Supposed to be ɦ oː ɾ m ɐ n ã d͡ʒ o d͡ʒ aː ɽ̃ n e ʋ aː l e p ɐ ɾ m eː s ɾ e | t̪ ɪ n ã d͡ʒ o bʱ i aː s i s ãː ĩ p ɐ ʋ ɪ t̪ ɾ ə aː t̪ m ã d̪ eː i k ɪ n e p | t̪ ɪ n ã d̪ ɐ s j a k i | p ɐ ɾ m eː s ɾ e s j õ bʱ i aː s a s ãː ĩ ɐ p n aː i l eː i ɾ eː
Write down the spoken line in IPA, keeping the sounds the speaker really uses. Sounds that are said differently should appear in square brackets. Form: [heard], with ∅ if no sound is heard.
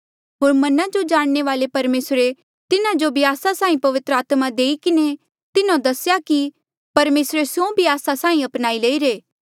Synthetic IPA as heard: ɦ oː ɾ m ɐ n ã d͡ʒ o d͡ʒ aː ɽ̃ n e ʋ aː l e p ɐ ɾ m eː s ɾ e | t̪ ɪ n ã d͡ʒ o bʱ i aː s [a] s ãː ĩ p ɐ ʋ ɪ t̪ ɾ ə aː t̪ m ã d̪ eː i k ɪ n e [∅] | t̪ ɪ n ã d̪ ɐ s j a k i | p ɐ ɾ m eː s ɾ e s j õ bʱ i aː s a s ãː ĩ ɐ p n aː i l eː i ɾ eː